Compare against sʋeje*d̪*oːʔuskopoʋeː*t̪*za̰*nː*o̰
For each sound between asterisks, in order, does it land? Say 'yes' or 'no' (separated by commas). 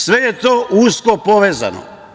no, no, no